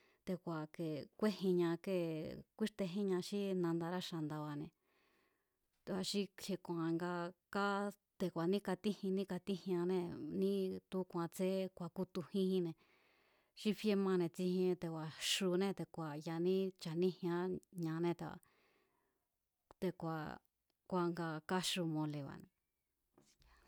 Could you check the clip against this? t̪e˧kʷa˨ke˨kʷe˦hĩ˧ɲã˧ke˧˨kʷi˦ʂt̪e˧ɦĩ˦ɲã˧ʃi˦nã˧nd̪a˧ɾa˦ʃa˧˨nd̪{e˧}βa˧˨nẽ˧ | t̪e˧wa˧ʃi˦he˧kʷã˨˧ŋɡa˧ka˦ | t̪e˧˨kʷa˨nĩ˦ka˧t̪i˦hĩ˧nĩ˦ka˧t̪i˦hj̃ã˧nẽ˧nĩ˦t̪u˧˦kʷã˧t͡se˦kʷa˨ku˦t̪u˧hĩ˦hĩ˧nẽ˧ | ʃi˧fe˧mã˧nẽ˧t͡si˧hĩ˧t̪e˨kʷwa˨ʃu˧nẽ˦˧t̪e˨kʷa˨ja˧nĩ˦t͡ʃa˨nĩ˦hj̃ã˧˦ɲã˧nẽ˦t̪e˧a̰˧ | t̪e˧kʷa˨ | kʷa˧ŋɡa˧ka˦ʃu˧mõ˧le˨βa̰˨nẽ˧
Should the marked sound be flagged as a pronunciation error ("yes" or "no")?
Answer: yes